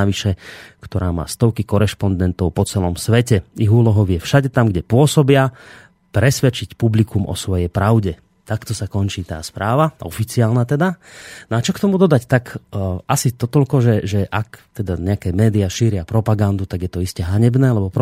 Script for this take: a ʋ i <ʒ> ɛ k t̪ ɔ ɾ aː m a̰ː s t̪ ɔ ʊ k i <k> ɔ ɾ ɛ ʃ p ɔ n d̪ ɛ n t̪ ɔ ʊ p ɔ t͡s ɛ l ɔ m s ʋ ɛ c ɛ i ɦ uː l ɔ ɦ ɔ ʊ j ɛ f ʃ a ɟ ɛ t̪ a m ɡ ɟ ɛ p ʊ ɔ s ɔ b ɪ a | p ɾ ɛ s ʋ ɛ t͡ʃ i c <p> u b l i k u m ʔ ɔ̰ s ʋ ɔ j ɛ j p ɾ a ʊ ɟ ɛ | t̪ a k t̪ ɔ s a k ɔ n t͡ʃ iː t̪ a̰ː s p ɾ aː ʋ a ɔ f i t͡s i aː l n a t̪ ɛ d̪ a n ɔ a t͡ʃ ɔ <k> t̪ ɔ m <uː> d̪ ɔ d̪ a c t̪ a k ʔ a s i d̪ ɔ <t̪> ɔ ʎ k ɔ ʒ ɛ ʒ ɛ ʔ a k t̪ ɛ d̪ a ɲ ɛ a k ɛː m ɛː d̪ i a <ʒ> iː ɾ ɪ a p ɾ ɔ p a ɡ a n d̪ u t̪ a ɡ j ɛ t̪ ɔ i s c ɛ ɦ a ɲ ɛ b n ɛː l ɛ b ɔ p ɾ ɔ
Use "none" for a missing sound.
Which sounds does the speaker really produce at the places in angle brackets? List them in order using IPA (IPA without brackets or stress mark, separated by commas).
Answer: ʃ, k, p, k, u, t̪, ʃ